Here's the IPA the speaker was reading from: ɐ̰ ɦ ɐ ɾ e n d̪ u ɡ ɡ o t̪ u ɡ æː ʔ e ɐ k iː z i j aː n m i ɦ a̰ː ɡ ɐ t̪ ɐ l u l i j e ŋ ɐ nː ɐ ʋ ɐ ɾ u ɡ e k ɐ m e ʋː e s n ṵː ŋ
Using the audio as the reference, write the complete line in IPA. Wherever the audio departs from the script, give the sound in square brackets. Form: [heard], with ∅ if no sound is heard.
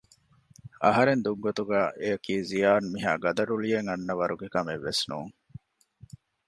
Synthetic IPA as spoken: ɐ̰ ɦ ɐ ɾ e n d̪ u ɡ ɡ o t̪ u ɡ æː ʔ e ɐ k iː z i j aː n m i ɦ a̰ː ɡ ɐ [d̪] ɐ [ɾ] u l i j e ŋ ɐ nː ɐ ʋ ɐ ɾ u ɡ e k ɐ m e ʋː e s n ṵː ŋ